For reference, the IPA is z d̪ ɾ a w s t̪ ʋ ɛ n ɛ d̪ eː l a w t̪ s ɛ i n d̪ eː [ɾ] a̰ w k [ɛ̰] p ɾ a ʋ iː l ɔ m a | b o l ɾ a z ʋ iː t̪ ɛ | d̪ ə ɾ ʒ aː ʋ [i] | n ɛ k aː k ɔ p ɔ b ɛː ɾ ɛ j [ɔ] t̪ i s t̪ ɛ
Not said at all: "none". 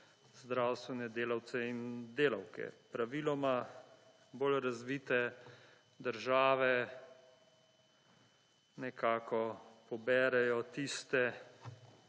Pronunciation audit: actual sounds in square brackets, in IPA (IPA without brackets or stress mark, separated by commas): l, ɛ̰, ɛ, ɔ